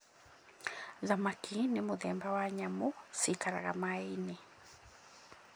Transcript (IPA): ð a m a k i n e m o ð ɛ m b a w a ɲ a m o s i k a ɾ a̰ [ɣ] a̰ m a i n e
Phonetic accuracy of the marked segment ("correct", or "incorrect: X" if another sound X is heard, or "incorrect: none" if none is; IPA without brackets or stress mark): correct